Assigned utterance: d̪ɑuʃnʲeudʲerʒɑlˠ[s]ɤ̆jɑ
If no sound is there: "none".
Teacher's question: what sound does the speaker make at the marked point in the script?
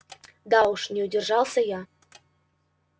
s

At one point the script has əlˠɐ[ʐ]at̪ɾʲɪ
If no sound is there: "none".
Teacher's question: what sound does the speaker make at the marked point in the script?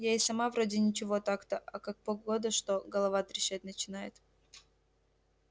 v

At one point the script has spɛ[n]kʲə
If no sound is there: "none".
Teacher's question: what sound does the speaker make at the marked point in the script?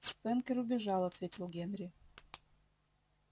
n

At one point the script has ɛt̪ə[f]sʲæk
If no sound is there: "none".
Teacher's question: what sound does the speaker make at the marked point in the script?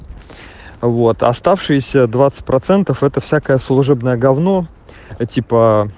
f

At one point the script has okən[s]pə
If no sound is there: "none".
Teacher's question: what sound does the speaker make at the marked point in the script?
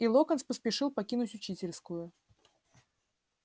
s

